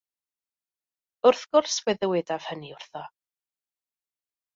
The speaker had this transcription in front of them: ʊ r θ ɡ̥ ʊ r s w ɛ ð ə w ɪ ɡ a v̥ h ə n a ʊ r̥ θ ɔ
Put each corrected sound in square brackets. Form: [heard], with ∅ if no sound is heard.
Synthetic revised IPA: ʊ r θ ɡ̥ ʊ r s w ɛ ð ə w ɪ [d] a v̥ h ə n [i] ʊ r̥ θ ɔ